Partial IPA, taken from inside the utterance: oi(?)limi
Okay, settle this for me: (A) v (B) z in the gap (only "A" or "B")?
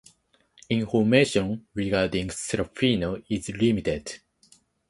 B